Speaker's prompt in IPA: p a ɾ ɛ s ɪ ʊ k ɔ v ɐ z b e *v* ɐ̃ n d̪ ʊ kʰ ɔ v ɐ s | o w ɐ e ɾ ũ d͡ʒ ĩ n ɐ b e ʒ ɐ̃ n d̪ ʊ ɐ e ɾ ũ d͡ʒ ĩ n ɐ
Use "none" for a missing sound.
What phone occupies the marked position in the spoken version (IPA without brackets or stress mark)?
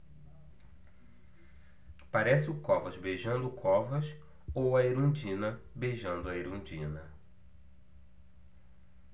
ʒ